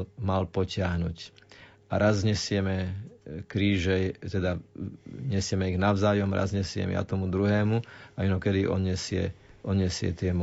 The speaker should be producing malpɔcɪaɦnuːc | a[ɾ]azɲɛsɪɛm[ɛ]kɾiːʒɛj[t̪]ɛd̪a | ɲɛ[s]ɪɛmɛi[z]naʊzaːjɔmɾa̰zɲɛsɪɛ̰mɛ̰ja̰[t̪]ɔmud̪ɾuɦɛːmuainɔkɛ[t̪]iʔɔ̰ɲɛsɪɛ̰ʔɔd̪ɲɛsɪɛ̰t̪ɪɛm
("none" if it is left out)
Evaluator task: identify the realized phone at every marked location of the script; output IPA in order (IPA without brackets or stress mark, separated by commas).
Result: ɾ, ɛ, t̪, s, ɣ, t̪, d̪